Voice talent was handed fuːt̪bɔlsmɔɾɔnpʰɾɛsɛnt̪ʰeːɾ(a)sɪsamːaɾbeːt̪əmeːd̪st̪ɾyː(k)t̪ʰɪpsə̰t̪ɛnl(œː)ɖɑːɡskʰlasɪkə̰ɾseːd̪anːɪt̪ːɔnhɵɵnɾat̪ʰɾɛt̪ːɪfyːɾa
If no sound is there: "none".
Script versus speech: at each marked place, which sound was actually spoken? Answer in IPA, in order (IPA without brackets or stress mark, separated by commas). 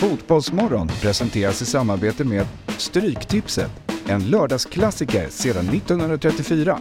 a, k, œː